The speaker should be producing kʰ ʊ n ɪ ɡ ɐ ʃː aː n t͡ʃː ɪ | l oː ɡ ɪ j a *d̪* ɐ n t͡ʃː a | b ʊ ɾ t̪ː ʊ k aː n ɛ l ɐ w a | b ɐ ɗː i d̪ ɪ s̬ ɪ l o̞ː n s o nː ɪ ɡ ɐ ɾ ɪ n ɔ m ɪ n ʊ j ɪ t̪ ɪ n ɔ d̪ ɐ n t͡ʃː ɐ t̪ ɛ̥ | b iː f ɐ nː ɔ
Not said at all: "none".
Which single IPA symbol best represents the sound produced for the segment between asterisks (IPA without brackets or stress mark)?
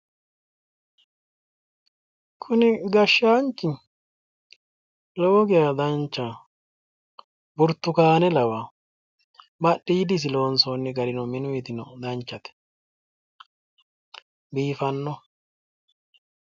d̪